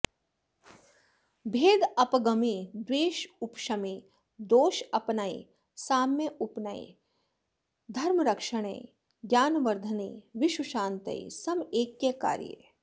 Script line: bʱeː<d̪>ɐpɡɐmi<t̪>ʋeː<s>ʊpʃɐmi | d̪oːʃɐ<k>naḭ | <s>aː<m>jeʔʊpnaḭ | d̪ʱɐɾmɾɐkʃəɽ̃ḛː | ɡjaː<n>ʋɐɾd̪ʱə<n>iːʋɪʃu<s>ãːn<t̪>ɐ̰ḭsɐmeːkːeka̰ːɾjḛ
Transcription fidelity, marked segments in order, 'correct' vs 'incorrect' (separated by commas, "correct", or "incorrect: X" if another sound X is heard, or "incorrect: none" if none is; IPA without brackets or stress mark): correct, incorrect: d̪, incorrect: ʃ, incorrect: p, correct, correct, correct, correct, incorrect: ʃ, correct